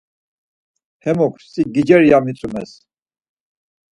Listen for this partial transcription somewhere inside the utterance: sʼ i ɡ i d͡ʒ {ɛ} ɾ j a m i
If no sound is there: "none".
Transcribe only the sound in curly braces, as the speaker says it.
ɛ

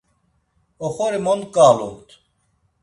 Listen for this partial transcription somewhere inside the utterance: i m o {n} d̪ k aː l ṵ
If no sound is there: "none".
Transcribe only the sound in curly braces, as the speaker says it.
n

